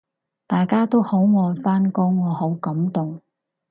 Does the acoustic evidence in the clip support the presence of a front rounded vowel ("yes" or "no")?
no